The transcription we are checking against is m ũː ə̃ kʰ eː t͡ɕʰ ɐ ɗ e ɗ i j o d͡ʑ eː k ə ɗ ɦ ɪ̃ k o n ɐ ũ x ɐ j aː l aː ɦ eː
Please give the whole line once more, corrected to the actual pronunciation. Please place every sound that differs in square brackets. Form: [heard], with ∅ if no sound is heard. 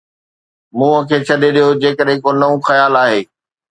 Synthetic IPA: m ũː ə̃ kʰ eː t͡ɕʰ ɐ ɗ e ɗ i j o d͡ʑ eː k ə ɗ ɦ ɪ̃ k o n ɐ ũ x ɐ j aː l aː ɦ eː